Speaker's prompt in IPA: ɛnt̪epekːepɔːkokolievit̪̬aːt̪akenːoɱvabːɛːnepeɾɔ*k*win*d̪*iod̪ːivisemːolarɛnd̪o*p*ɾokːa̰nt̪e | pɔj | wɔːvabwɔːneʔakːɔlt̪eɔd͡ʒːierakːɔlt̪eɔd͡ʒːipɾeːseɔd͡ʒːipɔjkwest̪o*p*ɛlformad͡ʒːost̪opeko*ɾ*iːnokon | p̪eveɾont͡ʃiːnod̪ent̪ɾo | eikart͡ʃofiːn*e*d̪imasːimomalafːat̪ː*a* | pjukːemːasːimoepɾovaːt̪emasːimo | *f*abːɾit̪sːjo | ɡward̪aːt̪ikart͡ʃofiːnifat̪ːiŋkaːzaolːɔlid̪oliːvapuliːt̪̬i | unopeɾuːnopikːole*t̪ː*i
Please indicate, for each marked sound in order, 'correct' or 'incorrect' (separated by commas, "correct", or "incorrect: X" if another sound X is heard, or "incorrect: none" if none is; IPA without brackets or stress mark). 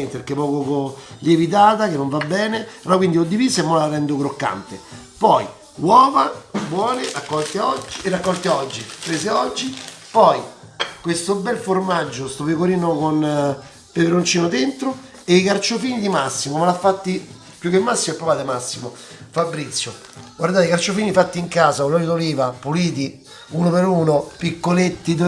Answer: correct, correct, incorrect: k, incorrect: b, correct, incorrect: i, incorrect: i, correct, correct